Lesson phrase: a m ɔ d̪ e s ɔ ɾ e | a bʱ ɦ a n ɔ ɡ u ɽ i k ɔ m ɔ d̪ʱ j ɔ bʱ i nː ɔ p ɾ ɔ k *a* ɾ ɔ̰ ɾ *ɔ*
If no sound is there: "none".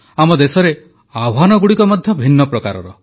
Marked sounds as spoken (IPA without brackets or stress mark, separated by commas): a, ɔ